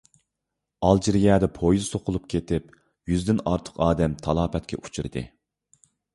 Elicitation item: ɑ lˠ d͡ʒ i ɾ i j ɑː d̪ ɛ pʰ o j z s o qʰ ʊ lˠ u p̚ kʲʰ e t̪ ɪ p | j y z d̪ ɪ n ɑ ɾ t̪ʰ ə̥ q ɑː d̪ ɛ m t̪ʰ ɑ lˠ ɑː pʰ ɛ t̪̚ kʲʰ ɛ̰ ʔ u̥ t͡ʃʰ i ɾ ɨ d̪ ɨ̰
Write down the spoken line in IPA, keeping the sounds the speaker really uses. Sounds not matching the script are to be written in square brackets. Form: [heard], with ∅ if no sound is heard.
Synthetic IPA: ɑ lˠ d͡ʒ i ɾ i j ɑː d̪ ɛ pʰ o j z s o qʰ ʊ lˠ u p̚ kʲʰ e t̪ ɪ p | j y z d̪ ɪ n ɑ ɾ t̪ʰ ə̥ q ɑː d̪ ɛ m t̪ʰ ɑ lˠ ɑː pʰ ɛ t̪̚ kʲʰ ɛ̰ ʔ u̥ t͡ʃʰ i ɾ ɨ d̪ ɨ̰